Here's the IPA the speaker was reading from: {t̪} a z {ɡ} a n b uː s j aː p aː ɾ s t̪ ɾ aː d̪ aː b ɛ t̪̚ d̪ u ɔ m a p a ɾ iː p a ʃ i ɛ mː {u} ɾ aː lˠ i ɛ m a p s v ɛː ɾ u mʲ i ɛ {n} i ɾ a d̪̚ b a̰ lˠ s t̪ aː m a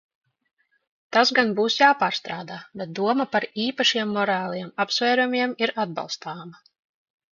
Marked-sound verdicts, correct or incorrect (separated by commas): correct, correct, incorrect, incorrect